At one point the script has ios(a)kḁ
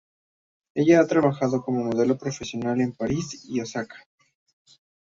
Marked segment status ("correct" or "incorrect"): correct